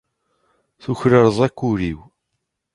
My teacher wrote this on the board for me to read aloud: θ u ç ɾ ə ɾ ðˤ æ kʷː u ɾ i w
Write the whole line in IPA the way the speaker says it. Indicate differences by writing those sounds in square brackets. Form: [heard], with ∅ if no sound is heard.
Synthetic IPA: θ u ç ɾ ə ɾ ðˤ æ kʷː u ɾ i w